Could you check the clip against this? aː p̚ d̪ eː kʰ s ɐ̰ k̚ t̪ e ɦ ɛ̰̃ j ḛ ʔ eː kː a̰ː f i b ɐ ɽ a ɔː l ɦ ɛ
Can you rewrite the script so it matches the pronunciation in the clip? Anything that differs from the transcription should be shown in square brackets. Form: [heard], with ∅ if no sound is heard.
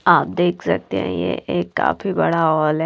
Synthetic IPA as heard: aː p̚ d̪ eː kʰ s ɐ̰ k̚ t̪ e ɦ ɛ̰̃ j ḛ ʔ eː kː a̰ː f i b ɐ ɽ a ɔː l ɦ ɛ